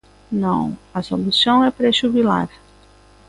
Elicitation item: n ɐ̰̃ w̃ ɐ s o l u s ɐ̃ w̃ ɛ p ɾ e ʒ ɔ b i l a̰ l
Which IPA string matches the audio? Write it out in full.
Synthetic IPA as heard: n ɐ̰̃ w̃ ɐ s o l u s ɐ̃ w̃ ɛ p ɾ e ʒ u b i l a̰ ɾ